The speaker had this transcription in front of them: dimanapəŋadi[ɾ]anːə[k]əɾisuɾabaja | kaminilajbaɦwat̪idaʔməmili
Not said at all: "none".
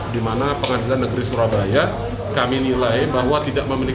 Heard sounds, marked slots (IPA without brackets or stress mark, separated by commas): l, ɡ